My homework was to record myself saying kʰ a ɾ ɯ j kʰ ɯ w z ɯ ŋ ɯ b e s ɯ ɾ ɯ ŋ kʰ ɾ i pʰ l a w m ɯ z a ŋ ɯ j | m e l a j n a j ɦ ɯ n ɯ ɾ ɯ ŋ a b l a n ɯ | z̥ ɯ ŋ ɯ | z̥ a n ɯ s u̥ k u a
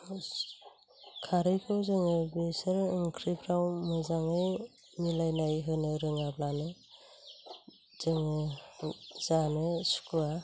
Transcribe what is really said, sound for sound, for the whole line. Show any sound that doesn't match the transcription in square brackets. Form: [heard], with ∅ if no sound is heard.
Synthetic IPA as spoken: kʰ a ɾ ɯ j kʰ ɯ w z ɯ ŋ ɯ b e s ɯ ɾ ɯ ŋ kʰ ɾ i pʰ [ɾ] a w m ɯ z a ŋ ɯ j | m [i] l a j n a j ɦ ɯ n ɯ ɾ ɯ ŋ a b l a n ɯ | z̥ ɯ ŋ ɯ | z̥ a n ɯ s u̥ k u a